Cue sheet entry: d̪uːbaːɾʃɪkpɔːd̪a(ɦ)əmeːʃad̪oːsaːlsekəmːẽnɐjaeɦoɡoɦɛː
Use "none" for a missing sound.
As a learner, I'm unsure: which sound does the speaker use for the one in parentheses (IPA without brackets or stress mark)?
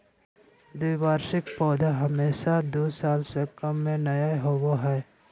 ɦ